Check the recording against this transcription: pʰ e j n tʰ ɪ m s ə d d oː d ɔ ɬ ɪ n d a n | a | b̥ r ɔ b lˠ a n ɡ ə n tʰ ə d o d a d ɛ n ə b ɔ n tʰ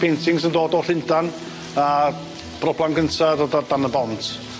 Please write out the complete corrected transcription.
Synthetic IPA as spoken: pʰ e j n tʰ ɪ ŋ s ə n d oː d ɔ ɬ ɪ n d a n | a | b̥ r ɔ b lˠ a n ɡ ə n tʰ a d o d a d a n ə b ɔ n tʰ